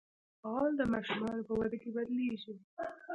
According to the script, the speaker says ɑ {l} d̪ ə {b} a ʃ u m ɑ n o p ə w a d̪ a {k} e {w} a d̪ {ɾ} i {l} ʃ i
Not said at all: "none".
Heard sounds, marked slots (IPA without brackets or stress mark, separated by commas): l, m, k, b, l, none